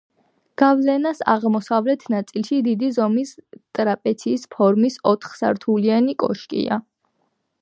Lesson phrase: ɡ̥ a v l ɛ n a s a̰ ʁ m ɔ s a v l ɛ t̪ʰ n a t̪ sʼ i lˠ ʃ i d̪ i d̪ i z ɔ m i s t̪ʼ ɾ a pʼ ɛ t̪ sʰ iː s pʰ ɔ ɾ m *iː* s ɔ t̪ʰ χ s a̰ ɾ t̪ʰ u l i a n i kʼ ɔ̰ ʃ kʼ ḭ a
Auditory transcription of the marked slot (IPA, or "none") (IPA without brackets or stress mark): i